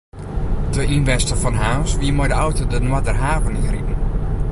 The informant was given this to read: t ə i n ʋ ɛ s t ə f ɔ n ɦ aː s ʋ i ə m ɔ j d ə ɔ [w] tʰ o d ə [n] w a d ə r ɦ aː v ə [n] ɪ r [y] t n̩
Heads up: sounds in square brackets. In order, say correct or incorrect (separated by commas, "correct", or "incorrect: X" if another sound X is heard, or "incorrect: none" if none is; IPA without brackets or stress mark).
correct, correct, correct, incorrect: i